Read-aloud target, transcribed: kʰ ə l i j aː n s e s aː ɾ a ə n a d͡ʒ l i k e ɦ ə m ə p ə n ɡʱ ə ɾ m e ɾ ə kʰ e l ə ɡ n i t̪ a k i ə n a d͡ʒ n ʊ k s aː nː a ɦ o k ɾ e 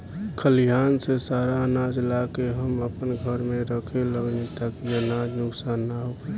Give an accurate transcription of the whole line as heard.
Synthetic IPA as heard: kʰ ə l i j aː n s e s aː ɾ a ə n a d͡ʒ l a k e ɦ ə m ə p ə n ɡʱ ə ɾ m e ɾ ə kʰ e l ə ɡ n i t̪ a k i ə n a d͡ʒ n ʊ k s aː nː a ɦ o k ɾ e

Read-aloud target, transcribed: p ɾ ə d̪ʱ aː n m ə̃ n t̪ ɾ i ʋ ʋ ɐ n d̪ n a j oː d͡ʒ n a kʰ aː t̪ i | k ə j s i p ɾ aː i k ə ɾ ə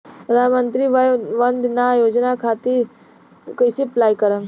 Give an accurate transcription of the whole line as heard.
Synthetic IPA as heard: p ɾ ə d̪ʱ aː n m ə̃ n t̪ ɾ i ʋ ʋ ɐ n d̪ n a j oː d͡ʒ n a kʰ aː t̪ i | k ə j s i p l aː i k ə ɾ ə

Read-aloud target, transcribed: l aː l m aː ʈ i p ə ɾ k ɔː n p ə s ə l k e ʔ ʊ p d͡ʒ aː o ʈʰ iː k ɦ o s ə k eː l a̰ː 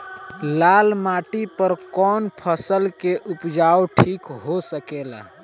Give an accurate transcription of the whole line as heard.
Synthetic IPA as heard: l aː l m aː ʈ i p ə ɾ k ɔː n pʰ ə s ə l k e ʔ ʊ p d͡ʒ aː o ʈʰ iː k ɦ o s ə k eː l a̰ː

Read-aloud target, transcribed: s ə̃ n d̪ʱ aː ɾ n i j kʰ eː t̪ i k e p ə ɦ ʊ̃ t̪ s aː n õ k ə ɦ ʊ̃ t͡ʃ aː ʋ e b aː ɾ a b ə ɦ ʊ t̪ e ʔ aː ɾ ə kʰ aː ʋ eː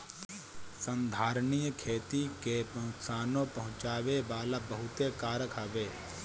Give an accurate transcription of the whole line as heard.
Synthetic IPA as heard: s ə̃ n d̪ʱ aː ɾ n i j kʰ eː t̪ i k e p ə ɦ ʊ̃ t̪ s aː n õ p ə ɦ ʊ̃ t͡ʃ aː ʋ e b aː l a b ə ɦ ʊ t̪ e k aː ɾ ə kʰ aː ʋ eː

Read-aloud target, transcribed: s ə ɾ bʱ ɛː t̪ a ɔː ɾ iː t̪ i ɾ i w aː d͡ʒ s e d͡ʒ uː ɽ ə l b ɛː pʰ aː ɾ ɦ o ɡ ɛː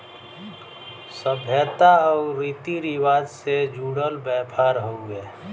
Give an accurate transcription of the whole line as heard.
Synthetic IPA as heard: s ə bʱ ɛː t̪ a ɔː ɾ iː t̪ i ɾ i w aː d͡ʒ s e d͡ʒ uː ɽ ə l b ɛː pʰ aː ɾ ɦ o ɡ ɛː

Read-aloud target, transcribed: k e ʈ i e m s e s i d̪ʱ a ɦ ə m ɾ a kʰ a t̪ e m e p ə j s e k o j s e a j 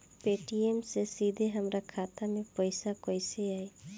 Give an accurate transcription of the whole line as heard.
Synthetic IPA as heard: p e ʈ i e m s e s i d̪ʱ e ɦ ə m ɾ a kʰ a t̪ a m e p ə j s a k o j s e a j

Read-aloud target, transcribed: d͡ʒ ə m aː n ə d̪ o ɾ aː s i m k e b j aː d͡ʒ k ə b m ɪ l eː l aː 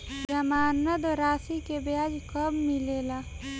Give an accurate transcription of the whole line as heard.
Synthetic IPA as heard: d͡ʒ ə m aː n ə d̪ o ɾ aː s i k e b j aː d͡ʒ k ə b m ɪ l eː l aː

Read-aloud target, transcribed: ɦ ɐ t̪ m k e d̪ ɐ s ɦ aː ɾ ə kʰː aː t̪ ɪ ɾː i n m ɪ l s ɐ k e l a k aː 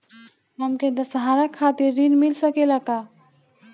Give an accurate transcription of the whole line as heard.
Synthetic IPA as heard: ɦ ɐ m k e d̪ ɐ s ɦ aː ɾ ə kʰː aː t̪ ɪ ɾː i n m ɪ l s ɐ k e l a k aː

